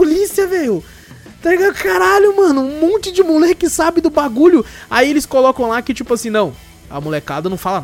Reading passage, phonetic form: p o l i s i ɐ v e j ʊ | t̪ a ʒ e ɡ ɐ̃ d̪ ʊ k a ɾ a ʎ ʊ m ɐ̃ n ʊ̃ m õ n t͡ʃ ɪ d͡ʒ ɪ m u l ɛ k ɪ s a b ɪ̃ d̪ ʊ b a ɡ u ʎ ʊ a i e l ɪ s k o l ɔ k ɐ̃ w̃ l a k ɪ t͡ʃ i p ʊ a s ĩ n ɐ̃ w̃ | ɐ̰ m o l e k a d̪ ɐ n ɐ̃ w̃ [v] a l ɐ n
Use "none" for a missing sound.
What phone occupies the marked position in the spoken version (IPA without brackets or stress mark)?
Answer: f